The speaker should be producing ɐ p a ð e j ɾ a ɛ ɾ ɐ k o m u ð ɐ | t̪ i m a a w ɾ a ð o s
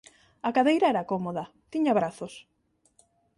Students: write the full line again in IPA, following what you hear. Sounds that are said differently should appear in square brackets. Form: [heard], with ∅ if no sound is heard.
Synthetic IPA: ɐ [k] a ð e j ɾ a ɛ ɾ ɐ k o m [o] ð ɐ | t̪ i [ɲ] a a [β] ɾ a [θ] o s